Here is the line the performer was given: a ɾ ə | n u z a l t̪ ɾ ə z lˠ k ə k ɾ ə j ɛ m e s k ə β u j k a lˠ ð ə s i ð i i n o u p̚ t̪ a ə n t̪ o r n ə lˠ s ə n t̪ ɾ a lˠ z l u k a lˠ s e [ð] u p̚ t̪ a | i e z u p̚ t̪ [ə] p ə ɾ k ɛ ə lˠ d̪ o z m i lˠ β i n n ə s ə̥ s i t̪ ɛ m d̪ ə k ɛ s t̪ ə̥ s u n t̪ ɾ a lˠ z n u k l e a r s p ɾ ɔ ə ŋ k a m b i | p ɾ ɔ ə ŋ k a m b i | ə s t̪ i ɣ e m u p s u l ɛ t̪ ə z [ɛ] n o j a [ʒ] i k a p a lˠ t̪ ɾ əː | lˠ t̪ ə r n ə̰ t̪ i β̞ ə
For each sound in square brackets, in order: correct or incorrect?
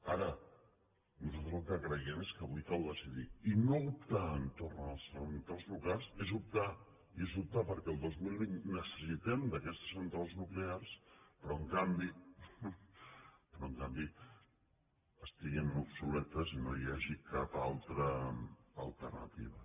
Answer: incorrect, incorrect, incorrect, correct

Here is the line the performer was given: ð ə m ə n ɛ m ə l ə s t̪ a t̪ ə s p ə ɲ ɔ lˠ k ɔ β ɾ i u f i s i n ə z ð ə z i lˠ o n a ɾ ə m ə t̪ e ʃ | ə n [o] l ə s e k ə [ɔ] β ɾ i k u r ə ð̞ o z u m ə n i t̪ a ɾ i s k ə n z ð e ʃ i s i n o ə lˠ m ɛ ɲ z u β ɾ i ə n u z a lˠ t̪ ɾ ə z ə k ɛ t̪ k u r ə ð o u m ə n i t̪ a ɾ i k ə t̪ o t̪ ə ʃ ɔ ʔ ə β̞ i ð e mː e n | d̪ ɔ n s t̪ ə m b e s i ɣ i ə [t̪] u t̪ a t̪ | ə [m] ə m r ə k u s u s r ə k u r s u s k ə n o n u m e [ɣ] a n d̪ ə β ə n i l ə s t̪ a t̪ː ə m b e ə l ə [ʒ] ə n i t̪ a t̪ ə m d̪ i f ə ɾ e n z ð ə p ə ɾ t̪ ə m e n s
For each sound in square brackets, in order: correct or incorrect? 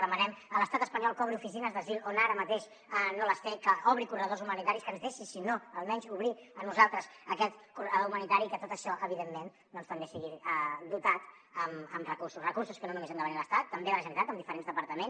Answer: correct, correct, incorrect, correct, incorrect, correct

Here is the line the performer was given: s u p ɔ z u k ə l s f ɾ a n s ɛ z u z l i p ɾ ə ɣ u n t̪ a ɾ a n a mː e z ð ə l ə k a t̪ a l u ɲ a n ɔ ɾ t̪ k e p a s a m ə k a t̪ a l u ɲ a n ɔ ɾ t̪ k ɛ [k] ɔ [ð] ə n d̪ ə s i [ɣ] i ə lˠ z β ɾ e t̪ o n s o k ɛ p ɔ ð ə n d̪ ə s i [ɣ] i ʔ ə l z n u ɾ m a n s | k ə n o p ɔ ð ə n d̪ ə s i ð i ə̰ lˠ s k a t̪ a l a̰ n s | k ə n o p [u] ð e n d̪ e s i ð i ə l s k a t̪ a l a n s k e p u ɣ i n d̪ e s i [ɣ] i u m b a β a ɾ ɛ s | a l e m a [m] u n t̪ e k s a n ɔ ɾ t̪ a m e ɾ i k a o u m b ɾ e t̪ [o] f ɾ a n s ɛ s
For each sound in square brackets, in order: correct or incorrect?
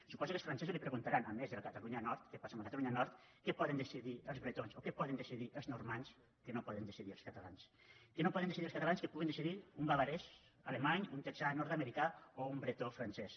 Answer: incorrect, correct, incorrect, incorrect, incorrect, incorrect, incorrect, correct

